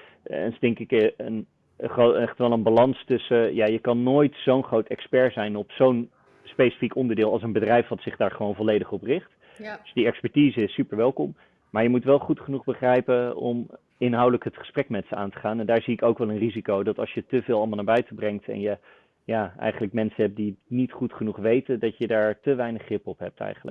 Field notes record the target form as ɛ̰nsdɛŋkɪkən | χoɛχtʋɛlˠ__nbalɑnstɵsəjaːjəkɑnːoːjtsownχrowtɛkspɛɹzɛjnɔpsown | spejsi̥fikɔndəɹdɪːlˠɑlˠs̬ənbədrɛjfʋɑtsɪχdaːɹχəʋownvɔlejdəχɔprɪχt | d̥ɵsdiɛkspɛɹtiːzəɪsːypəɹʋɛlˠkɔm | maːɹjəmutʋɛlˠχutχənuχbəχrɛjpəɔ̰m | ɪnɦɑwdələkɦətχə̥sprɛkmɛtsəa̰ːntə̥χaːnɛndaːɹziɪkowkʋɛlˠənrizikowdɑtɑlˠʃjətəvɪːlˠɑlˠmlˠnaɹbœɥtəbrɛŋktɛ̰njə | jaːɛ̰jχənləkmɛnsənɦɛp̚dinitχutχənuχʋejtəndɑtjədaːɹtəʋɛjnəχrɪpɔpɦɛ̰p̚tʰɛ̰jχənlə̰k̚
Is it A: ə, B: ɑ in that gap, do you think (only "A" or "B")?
A